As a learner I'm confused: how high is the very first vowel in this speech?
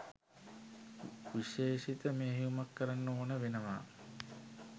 high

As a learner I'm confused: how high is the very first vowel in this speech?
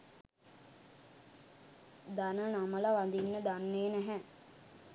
low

